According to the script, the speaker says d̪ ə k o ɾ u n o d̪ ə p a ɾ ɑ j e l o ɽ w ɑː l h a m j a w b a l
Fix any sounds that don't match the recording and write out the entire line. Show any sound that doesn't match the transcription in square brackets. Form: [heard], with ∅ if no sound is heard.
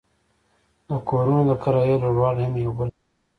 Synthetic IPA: d̪ ə k o ɾ u n o d̪ ə [k] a ɾ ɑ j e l o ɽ w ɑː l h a m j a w b [ə] l